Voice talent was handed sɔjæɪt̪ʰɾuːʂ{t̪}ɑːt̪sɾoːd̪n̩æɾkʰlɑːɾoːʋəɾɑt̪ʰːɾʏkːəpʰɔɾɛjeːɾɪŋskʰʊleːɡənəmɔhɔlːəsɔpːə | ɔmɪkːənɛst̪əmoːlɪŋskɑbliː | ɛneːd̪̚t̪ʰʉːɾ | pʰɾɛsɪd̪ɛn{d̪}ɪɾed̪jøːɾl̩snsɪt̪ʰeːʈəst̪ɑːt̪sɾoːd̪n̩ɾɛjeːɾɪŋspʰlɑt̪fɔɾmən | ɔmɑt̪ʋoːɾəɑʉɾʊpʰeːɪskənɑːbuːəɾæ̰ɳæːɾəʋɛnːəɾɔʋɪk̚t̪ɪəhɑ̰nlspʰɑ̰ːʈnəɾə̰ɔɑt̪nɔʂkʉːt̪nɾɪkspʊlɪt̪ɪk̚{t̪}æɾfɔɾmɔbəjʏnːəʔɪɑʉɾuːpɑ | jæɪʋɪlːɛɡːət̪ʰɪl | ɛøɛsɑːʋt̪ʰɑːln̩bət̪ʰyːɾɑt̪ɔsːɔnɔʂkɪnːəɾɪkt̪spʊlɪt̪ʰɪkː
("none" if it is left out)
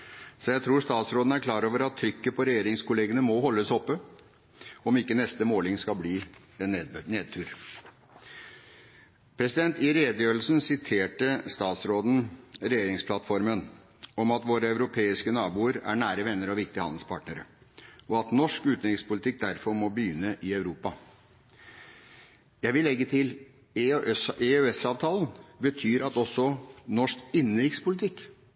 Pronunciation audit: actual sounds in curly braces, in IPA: t̪, t̪, d̪

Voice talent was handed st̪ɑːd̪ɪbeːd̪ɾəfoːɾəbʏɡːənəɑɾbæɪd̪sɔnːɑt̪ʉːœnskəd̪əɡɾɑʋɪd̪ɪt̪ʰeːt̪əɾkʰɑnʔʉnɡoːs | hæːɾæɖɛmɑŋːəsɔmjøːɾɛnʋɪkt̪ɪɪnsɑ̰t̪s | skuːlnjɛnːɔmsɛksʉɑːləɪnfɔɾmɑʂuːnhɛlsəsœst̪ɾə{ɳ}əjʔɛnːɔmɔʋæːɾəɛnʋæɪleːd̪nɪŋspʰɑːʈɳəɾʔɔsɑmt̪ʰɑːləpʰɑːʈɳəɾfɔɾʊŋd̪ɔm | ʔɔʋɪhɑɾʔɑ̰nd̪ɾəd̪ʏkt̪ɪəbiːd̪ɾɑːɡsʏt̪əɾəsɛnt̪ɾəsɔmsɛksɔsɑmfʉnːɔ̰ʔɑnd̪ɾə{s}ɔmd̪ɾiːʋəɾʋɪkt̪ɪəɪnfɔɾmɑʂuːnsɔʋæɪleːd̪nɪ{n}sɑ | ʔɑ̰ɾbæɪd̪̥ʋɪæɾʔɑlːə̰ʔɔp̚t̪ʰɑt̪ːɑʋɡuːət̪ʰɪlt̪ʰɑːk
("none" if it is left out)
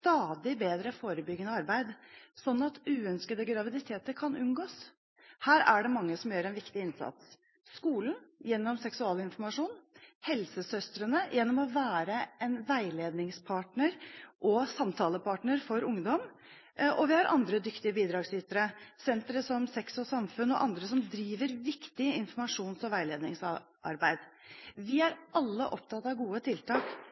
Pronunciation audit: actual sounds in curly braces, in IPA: n, s, ŋ

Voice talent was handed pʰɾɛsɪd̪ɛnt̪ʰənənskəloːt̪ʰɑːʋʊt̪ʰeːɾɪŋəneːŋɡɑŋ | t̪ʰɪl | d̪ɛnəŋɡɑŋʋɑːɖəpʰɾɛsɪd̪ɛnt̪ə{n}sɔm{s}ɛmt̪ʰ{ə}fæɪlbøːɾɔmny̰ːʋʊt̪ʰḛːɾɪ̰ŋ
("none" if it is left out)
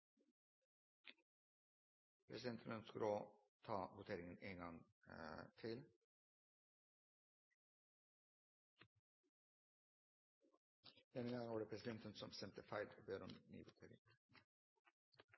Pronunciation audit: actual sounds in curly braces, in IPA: n, s, ə

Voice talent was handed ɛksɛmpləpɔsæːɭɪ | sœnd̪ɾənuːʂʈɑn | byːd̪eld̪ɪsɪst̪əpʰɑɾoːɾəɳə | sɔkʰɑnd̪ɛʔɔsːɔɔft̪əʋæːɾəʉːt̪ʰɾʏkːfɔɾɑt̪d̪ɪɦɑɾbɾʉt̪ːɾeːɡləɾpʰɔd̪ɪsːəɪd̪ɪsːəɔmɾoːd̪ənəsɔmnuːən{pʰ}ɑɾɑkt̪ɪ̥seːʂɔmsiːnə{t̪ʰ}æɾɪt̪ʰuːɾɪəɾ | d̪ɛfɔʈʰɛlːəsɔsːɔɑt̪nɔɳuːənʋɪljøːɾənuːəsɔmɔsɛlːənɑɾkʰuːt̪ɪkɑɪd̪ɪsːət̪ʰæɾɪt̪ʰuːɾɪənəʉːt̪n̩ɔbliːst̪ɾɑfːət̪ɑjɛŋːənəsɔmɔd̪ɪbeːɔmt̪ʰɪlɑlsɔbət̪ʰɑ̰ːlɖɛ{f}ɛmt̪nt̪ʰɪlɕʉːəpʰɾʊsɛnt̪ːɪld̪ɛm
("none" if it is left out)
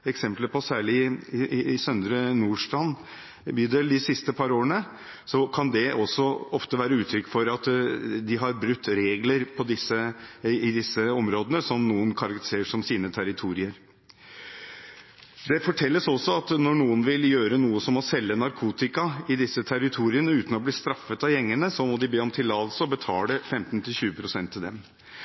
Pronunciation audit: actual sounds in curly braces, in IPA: kʰ, t̪ʰ, f

